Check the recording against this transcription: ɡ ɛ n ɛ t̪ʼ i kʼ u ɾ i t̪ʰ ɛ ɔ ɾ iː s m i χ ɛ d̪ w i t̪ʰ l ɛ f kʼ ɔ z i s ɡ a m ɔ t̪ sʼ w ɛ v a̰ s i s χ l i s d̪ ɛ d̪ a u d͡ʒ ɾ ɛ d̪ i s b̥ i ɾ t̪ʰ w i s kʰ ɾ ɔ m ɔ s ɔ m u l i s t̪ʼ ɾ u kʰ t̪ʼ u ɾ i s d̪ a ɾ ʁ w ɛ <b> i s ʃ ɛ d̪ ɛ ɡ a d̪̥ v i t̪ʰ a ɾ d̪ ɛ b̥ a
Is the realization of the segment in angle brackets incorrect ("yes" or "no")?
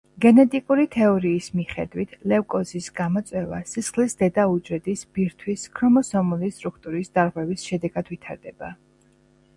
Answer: yes